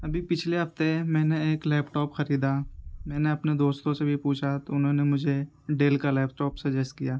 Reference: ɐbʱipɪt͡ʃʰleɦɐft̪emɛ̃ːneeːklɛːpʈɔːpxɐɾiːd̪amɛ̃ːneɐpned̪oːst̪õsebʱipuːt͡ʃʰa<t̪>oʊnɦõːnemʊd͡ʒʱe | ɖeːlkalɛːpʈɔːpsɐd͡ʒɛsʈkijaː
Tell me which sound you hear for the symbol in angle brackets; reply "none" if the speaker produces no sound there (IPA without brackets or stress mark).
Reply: t̪